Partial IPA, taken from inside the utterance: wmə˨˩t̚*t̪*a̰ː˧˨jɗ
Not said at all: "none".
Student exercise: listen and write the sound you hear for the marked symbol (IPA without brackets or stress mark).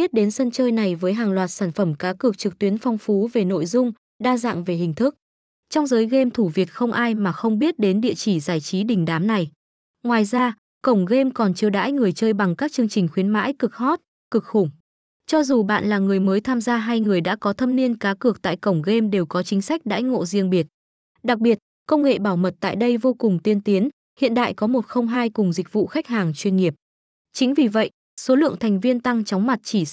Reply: t̪